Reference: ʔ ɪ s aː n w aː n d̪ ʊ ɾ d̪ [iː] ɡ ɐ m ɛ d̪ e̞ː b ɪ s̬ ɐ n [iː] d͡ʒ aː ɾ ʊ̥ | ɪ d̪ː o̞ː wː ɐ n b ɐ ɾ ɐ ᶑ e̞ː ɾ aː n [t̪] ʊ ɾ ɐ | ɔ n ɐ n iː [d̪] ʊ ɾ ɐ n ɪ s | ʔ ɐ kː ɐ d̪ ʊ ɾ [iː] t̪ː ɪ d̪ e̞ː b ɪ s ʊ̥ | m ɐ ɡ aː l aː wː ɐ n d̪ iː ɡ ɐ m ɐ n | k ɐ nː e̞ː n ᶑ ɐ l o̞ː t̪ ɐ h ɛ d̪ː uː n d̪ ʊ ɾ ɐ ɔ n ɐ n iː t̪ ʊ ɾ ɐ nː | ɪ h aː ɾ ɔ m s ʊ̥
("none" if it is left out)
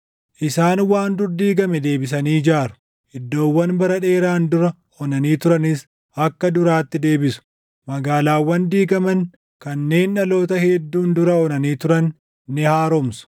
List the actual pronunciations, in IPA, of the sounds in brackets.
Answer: iː, iː, d̪, t̪, aː

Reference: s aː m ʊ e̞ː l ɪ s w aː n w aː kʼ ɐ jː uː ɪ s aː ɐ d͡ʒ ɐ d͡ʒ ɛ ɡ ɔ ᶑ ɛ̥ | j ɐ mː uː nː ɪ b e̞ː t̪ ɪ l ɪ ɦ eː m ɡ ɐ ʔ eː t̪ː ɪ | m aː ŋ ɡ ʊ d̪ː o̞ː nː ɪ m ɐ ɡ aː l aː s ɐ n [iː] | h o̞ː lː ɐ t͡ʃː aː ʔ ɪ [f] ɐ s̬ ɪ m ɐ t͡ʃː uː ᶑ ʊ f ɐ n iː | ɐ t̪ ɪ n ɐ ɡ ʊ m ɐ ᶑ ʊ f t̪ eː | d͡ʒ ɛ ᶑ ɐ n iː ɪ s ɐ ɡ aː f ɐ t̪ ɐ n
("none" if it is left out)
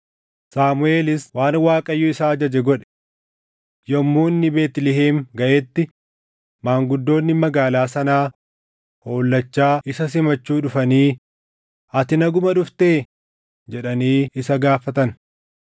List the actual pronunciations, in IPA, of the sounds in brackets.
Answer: aː, s

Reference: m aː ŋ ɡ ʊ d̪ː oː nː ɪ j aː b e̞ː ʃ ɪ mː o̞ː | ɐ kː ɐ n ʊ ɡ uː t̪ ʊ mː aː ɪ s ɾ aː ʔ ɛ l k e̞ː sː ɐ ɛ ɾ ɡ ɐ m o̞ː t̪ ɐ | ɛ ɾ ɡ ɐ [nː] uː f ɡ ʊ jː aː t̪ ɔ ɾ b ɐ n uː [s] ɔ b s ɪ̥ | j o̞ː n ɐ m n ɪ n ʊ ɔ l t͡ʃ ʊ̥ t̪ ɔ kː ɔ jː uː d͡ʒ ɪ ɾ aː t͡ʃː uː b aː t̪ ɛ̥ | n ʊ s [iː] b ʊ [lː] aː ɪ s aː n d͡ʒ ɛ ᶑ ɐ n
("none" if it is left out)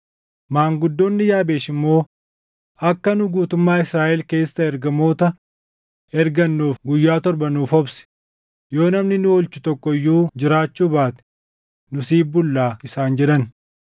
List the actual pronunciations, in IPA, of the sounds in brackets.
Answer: nː, f, iː, lː

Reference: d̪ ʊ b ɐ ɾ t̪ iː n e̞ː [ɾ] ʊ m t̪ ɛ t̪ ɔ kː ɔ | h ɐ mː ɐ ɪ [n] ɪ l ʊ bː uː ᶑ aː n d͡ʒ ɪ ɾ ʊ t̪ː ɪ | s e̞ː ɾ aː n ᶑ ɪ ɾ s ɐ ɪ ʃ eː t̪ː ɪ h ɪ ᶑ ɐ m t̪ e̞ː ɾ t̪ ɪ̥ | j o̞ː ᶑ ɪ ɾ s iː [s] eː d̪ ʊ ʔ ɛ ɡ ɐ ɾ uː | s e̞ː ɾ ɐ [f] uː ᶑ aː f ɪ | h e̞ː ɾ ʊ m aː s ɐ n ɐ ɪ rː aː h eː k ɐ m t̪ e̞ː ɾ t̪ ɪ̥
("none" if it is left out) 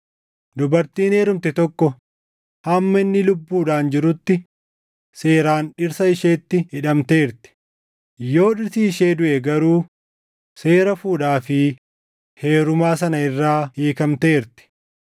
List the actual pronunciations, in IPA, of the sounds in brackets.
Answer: ɾ, nː, ʃ, f

